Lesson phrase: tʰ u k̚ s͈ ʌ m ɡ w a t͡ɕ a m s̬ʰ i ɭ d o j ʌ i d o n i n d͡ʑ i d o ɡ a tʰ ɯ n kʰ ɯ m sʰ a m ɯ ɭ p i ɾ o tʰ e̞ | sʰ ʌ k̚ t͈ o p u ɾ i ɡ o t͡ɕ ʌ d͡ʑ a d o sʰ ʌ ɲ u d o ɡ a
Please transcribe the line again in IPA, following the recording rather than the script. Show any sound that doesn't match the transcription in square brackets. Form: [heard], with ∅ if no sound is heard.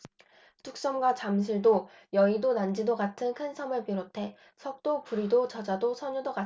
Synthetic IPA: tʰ u k̚ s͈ ʌ m ɡ w a t͡ɕ a m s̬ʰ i ɭ d o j ʌ i d o n [a] n d͡ʑ i d o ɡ a tʰ ɯ n kʰ ɯ [n] sʰ [ʌ] m ɯ ɭ p i ɾ o tʰ e̞ | sʰ ʌ k̚ t͈ o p u ɾ i [d] o t͡ɕ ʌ d͡ʑ a d o sʰ ʌ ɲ u d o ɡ a